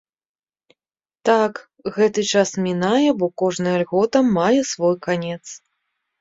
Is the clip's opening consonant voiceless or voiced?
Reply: voiceless